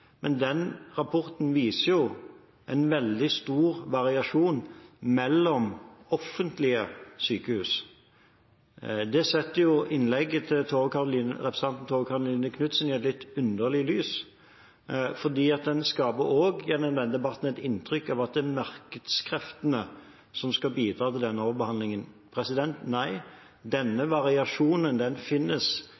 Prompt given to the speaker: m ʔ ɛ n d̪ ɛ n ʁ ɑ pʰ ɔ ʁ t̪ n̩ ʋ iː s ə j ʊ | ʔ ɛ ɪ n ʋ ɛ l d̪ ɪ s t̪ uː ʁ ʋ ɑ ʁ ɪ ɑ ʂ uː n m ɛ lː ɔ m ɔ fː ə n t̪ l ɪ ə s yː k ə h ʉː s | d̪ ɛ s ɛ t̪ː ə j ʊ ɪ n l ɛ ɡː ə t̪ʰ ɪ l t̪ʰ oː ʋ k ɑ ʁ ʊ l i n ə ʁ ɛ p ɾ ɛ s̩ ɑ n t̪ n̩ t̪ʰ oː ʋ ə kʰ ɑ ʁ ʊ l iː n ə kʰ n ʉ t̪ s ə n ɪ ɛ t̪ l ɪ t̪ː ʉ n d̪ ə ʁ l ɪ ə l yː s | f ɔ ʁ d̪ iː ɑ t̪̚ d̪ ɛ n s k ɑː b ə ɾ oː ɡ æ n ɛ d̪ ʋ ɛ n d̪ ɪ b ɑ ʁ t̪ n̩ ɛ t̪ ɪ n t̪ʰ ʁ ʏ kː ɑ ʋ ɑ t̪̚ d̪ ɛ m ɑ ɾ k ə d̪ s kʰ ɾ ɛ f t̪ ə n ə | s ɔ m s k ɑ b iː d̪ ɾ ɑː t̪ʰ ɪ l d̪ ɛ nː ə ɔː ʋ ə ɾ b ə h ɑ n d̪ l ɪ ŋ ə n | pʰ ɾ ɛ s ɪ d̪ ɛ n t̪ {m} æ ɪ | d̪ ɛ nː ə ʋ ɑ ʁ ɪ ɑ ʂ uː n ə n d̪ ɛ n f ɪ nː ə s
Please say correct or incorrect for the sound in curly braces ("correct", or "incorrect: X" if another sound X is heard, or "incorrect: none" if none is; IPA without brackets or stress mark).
incorrect: n